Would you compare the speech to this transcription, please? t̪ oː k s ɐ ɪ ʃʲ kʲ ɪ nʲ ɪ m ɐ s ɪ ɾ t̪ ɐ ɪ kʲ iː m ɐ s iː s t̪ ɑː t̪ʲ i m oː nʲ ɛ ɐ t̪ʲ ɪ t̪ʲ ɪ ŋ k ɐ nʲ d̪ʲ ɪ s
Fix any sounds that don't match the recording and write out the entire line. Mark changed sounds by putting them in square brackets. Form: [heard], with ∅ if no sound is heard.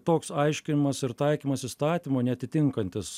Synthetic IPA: t̪ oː k s ɐ ɪ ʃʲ kʲ ɪ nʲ ɪ m ɐ s ɪ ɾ t̪ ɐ ɪ kʲ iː m ɐ s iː s t̪ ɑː t̪ʲ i m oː nʲ ɛ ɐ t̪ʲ ɪ t̪ʲ ɪ ŋ k ɐ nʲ [t̪ʲ] ɪ s